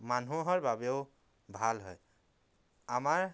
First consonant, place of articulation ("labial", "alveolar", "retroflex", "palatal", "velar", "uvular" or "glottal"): labial